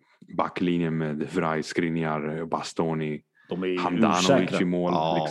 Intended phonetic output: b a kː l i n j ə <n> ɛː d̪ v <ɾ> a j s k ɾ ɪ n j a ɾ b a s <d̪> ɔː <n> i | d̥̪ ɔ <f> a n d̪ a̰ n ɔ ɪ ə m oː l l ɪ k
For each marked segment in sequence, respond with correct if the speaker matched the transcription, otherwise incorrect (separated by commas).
incorrect, correct, incorrect, correct, incorrect